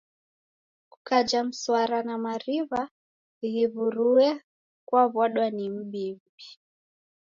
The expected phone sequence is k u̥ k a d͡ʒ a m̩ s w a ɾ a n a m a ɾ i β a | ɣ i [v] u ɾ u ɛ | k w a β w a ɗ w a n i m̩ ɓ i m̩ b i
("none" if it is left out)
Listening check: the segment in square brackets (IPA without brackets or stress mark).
β